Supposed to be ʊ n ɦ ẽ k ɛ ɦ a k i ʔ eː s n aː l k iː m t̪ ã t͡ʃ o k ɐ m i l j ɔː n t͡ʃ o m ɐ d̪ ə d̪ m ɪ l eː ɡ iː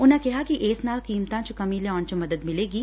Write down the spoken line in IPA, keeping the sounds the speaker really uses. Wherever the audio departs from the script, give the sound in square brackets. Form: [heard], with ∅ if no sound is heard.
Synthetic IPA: ʊ n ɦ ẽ k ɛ ɦ a k i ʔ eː s n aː l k iː m t̪ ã t͡ʃ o k ɐ m i l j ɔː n t͡ʃ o m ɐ d̪ ə d̪ m ɪ l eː ɡ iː